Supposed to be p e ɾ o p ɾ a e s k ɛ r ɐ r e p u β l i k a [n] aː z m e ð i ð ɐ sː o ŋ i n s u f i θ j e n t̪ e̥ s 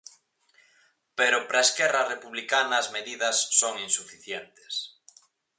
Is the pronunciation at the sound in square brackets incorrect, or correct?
correct